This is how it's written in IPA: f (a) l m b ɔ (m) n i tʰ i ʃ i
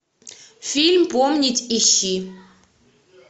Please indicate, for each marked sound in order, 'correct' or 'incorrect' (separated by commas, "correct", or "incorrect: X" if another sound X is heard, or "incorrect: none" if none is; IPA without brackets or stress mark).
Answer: incorrect: i, correct